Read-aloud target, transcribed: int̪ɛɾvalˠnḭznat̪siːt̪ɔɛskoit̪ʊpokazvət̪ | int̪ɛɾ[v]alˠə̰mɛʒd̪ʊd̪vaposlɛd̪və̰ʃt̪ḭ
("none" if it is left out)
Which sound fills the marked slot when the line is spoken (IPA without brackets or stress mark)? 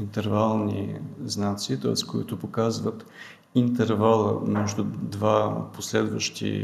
v